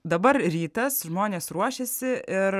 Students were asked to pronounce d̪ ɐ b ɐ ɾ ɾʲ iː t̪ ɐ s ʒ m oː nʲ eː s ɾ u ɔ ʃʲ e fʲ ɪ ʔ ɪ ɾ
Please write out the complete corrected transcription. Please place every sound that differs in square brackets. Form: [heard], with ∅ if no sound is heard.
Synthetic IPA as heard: d̪ ɐ b ɐ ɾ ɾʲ iː t̪ ɐ s ʒ m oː nʲ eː s ɾ u ɔ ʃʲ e [sʲ] ɪ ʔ ɪ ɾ